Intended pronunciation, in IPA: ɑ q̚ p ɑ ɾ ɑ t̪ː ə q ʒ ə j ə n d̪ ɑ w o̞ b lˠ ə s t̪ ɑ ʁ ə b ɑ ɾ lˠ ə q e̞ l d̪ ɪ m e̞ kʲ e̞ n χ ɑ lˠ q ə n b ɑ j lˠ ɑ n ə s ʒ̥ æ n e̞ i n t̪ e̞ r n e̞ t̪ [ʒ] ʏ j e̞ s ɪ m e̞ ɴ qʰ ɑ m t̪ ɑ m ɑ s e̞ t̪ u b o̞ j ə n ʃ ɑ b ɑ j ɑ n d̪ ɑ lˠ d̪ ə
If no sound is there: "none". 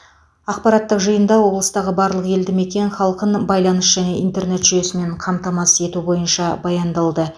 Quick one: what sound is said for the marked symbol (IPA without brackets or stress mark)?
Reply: ʒ